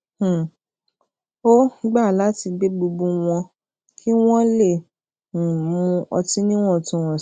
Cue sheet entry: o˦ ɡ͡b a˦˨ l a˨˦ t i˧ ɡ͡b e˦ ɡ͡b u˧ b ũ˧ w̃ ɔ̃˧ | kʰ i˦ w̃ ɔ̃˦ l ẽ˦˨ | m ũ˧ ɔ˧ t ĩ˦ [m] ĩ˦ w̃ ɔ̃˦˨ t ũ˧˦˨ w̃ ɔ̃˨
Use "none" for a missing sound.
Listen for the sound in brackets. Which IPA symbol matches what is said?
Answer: n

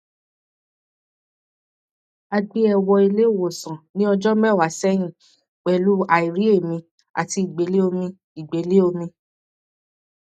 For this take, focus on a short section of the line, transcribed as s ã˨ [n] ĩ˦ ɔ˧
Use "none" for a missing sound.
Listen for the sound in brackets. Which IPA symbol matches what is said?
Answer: n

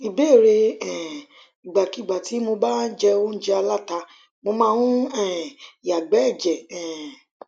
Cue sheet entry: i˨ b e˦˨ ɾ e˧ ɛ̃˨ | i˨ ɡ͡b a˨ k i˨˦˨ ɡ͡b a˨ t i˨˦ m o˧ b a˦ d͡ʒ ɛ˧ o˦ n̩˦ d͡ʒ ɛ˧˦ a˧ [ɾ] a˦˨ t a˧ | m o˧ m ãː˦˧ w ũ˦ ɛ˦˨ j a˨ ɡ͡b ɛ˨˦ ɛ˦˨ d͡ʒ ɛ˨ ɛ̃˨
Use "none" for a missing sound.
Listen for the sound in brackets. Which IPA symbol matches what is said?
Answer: l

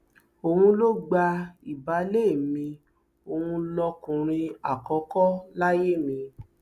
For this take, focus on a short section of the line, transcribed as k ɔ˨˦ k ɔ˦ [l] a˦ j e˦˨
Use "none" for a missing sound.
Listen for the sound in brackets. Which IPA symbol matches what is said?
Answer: l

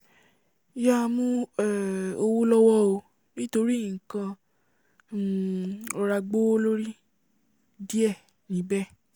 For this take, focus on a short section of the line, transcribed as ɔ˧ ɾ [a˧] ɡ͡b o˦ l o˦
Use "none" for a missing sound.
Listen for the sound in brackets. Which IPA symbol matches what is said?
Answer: a˧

